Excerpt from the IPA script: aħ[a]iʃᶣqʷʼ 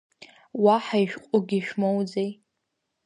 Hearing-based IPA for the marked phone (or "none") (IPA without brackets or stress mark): a